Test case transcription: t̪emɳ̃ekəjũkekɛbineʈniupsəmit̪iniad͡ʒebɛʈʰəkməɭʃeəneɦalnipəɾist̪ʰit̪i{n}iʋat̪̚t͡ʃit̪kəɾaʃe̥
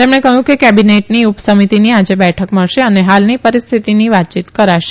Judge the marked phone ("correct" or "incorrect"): correct